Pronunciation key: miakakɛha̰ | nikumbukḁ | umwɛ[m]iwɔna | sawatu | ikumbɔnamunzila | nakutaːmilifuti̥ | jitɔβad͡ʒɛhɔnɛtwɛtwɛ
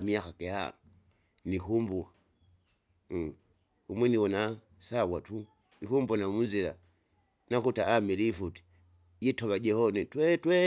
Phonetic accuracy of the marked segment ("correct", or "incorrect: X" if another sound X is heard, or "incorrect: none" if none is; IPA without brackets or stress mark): incorrect: n